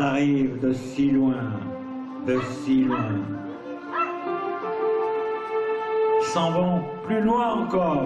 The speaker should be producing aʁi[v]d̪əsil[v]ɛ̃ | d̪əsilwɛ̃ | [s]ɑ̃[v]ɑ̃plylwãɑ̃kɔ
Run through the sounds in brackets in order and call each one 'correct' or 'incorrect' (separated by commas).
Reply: correct, incorrect, correct, correct